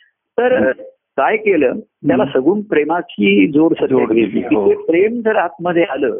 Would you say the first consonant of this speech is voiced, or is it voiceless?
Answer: voiceless